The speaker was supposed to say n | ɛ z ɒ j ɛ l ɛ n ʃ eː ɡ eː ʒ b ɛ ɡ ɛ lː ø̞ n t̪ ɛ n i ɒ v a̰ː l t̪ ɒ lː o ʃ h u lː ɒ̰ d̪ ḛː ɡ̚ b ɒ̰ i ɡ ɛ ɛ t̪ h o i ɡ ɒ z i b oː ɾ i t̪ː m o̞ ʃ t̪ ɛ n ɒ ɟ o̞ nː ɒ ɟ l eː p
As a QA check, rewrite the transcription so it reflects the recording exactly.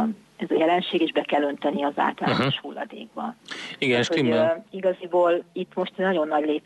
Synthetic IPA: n | ɛ z ɒ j ɛ l ɛ n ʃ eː ɡ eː ʒ b ɛ k ɛ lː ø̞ n t̪ ɛ n i ɒ z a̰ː l t̪ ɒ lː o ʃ h u lː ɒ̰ d̪ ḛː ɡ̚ b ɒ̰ i ɡ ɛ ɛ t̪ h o i ɡ ɒ z i b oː l i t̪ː m o̞ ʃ t̪ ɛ n ɒ ɟ o̞ nː ɒ ɟ l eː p